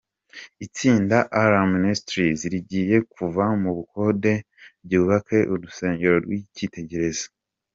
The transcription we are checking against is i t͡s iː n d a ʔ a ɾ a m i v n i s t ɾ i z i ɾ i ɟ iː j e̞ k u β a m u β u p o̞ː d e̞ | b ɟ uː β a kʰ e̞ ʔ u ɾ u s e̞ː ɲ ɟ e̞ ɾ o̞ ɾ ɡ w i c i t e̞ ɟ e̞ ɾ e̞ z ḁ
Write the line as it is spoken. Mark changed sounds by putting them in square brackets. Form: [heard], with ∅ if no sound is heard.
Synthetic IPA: i t͡s iː n d a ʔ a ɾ a m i [∅] n i s t ɾ i z i ɾ i ɟ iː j e̞ k u [v] a m u β u [k] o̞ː d e̞ | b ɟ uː β a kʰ e̞ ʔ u ɾ u s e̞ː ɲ ɟ e̞ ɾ o̞ ɾ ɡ w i c i t e̞ ɟ e̞ ɾ e̞ z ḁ